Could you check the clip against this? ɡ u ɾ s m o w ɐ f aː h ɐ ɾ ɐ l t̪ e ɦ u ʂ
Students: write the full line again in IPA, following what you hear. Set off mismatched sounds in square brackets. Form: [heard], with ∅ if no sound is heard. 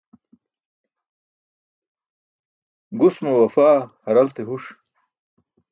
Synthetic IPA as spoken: ɡ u [∅] s m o w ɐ f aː h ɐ ɾ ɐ l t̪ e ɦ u ʂ

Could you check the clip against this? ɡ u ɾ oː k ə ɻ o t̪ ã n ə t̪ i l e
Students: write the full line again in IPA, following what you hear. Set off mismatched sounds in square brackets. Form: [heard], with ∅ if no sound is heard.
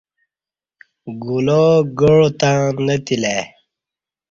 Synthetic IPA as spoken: ɡ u [l] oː [ɡ] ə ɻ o t̪ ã n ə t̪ i l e

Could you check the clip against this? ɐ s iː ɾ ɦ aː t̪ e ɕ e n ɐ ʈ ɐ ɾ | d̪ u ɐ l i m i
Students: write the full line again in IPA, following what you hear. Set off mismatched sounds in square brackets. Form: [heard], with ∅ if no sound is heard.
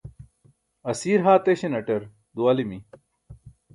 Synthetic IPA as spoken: ɐ s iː ɾ ɦ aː t̪ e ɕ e n ɐ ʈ ɐ ɾ | d̪ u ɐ l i m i

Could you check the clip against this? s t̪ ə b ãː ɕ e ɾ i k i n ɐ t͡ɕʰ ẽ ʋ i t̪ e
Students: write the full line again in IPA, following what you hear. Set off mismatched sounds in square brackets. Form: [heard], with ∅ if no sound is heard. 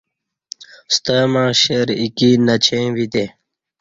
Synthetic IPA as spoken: s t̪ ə [m] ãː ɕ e ɾ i k i n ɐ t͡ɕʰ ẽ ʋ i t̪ e

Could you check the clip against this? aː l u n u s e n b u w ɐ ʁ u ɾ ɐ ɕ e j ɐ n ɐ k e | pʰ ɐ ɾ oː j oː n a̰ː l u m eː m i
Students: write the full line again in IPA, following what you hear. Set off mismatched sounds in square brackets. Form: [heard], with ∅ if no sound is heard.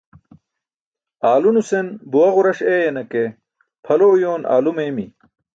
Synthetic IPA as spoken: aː l u n u s e n b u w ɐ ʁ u ɾ ɐ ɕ e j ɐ n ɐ k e | pʰ ɐ [l] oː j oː n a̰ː l u m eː m i

